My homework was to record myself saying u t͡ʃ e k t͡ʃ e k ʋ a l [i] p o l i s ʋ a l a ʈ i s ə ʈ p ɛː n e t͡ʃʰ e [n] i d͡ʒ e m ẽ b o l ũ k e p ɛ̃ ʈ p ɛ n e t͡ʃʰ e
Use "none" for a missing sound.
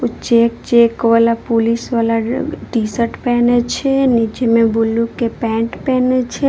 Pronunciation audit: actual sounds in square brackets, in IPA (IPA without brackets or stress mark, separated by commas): a, n